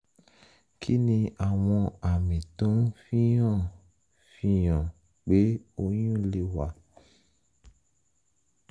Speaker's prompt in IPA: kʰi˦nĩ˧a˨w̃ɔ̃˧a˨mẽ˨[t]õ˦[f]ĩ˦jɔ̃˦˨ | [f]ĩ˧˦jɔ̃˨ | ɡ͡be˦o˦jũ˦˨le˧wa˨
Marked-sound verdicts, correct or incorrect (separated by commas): correct, correct, correct